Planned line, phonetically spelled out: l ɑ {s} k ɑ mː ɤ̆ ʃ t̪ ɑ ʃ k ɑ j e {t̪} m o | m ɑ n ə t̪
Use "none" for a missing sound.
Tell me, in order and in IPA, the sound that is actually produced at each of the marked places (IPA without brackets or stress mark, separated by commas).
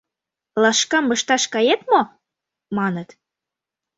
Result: ʃ, t̪